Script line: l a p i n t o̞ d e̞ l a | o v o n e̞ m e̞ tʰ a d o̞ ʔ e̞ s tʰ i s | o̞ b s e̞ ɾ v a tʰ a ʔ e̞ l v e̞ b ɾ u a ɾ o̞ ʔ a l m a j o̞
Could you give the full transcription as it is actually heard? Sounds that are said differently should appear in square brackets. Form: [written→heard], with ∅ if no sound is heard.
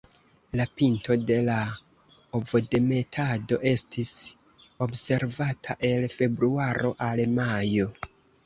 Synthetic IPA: l a p i n t o̞ d e̞ l a | o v o [n→d] e̞ m e̞ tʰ a d o̞ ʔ e̞ s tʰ i s | o̞ b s e̞ ɾ v a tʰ a ʔ e̞ l [v→f] e̞ b ɾ u a ɾ o̞ ʔ a l m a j o̞